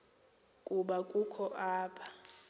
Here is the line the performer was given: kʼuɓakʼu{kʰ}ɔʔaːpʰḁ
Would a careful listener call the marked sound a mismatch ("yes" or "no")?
no